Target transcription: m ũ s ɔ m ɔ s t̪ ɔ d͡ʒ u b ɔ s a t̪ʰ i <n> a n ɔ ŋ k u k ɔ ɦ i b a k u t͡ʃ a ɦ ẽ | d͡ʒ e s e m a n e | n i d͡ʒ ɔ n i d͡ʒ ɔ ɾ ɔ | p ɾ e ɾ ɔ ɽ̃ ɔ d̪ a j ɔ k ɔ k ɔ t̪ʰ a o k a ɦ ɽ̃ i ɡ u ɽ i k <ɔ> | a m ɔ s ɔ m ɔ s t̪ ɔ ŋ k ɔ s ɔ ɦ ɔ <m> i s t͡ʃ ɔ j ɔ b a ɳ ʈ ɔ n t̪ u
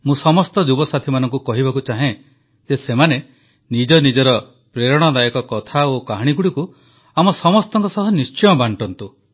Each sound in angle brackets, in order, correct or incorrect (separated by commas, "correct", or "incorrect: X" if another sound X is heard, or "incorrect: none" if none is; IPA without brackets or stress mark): incorrect: m, incorrect: u, incorrect: n